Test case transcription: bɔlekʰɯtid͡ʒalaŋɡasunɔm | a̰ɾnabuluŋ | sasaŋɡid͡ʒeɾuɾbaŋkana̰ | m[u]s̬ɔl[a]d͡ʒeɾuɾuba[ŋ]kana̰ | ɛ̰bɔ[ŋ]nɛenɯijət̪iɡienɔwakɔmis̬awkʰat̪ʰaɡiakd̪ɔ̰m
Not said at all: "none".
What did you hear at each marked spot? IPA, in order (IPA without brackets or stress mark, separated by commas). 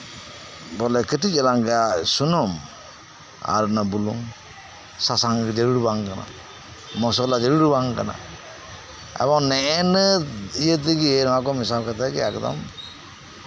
ɔ, a, ŋ, ŋ